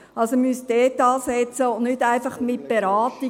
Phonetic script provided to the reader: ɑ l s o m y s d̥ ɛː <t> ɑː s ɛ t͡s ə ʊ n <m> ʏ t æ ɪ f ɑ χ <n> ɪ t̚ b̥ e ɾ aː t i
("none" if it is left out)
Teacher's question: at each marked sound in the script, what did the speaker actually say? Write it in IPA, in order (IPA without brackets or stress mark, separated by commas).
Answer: t, n, m